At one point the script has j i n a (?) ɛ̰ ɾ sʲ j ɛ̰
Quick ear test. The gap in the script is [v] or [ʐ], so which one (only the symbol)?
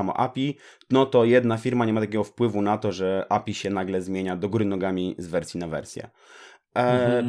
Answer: v